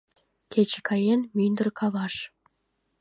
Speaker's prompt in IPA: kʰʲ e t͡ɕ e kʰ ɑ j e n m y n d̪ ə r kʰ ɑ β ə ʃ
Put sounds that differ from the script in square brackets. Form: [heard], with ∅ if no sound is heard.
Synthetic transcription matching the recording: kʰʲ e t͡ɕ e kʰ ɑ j e n m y n d̪ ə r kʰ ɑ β [ɑ] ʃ